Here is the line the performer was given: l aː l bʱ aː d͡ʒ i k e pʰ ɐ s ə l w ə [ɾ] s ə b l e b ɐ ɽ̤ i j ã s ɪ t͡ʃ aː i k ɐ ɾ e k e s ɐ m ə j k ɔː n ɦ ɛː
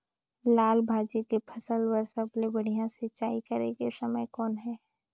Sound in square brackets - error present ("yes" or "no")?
no